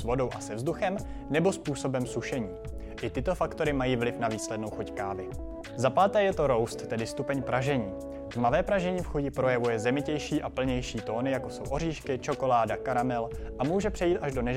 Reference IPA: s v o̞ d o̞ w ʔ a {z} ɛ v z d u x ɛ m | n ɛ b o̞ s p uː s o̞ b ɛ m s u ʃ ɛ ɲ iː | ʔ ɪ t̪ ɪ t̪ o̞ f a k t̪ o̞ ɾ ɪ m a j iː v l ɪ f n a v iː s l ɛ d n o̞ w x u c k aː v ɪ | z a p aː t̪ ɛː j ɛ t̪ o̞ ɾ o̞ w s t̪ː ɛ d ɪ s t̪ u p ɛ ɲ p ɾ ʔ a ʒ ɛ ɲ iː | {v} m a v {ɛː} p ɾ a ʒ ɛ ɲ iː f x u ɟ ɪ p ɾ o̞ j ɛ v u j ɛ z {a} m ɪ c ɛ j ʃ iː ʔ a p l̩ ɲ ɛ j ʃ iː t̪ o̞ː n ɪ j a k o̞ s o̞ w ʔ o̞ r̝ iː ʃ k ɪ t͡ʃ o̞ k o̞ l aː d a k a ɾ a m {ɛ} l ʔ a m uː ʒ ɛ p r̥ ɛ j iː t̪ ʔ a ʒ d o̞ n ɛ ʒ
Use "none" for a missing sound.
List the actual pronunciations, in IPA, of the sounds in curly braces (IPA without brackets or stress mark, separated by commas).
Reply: s, v, ɛː, ɛ, ɛ